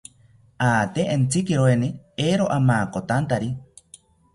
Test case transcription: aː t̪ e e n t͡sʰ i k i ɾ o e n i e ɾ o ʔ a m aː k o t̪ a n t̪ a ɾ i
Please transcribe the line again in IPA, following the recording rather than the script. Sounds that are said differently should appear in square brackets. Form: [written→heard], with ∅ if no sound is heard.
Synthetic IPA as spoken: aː t̪ e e n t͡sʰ i k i ɾ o e n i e ɾ o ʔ a m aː k o t̪ a n t̪ a ɾ i